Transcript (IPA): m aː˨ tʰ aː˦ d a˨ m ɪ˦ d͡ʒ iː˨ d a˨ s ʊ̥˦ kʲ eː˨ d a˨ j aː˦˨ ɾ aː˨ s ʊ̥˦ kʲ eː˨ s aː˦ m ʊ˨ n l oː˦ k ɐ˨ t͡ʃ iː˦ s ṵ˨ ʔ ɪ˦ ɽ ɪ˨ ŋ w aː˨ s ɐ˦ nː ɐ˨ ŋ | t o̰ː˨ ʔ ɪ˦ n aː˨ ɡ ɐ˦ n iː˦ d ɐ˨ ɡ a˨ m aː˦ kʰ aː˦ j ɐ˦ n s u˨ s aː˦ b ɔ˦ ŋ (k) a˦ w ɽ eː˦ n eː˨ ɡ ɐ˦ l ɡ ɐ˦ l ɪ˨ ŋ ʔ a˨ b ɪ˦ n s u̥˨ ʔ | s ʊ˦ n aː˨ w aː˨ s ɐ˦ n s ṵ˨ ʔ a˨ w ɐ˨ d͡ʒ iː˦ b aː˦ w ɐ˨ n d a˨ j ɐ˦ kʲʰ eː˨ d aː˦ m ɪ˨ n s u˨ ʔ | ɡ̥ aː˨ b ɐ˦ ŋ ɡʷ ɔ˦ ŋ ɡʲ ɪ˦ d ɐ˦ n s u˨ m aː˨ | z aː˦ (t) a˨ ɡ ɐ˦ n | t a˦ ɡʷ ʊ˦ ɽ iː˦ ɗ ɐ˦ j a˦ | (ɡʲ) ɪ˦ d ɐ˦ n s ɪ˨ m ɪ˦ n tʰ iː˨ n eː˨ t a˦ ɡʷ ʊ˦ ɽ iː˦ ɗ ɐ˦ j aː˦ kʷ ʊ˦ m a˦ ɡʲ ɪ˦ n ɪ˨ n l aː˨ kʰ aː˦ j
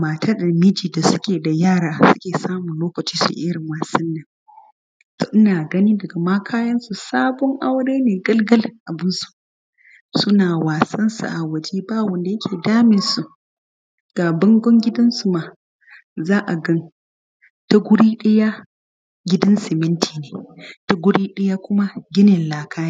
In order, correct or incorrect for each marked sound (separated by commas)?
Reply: incorrect, incorrect, correct